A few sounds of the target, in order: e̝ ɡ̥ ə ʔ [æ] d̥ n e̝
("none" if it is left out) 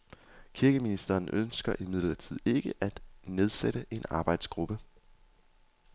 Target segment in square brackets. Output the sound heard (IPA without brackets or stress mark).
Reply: æ